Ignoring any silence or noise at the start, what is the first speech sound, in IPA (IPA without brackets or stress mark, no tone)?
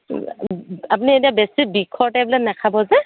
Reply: a